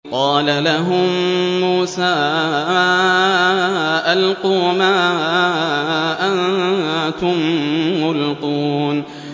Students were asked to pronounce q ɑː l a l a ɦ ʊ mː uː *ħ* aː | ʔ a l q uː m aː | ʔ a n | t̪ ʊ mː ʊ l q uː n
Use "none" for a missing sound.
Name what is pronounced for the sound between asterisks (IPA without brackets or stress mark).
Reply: s